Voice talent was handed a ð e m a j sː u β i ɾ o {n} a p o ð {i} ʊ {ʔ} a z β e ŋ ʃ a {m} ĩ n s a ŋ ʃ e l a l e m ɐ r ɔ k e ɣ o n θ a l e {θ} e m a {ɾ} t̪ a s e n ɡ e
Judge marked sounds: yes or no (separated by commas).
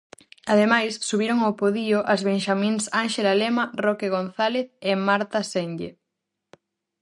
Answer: no, yes, yes, yes, yes, yes